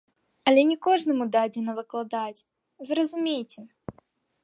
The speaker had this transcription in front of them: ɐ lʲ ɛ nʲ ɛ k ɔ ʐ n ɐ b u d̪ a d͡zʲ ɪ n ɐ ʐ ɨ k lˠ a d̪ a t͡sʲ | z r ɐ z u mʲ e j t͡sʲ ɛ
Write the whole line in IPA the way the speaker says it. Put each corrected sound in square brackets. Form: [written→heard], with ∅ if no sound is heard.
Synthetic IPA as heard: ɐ lʲ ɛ nʲ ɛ k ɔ ʐ n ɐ [b→m] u d̪ a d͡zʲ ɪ n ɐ [ʐ→v] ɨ k lˠ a d̪ a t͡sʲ | z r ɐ z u mʲ e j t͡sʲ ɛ